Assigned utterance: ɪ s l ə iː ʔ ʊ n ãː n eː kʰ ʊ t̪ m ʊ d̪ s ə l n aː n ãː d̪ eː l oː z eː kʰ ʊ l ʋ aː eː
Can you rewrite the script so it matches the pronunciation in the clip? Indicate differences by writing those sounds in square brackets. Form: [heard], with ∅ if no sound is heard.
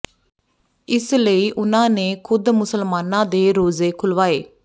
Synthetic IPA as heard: ɪ s l ə iː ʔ ʊ n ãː n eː kʰ ʊ [d̪] m ʊ [∅] s ə l [m] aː n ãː d̪ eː [ɾ] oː z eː kʰ ʊ l ʋ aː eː